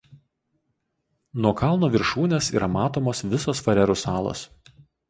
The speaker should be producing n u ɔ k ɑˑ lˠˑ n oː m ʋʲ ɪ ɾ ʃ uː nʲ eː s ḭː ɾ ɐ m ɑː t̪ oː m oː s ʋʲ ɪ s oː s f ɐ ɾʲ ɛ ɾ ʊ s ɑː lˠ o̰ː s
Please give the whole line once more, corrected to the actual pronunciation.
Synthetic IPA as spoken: n u ɔ k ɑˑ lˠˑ n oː ʋʲ ɪ ɾ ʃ uː nʲ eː s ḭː ɾ ɐ m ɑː t̪ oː m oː s ʋʲ ɪ s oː s f ɐ ɾʲ ɛ ɾ ʊ s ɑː lˠ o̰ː s